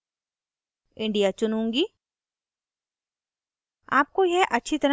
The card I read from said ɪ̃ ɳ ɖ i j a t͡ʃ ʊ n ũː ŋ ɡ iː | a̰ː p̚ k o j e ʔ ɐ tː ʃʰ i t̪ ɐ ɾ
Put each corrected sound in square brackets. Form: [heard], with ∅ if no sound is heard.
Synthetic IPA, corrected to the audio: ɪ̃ ɳ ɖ i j a t͡ʃ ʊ n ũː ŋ ɡ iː | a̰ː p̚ k o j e ʔ ɐ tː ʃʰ i t̪ ɐ ɾ

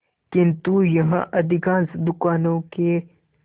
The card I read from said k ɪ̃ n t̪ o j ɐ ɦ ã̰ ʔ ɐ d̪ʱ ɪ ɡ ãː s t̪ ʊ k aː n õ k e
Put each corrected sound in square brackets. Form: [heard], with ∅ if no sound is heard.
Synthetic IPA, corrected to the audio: k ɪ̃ n t̪ [u] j ɐ ɦ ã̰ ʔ ɐ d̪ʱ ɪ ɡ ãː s [d̪] ʊ k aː n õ k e

